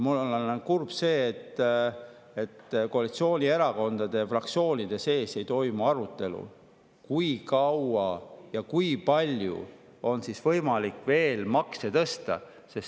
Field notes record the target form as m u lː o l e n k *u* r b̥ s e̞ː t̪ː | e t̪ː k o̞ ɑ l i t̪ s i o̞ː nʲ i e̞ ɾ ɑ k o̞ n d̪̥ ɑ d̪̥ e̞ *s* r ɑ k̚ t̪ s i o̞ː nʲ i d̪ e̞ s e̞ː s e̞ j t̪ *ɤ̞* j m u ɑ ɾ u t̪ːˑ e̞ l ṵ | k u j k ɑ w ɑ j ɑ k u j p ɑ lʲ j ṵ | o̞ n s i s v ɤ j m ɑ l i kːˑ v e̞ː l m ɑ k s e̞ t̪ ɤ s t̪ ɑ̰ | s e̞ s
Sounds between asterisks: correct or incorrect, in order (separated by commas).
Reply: correct, incorrect, incorrect